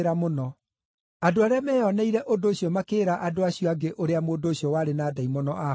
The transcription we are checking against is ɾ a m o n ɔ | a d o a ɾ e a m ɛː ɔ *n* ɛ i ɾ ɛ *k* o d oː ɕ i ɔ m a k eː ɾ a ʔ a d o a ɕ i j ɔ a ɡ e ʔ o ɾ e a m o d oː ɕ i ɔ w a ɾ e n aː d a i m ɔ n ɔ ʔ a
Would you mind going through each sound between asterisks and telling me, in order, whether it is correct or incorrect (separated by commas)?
correct, incorrect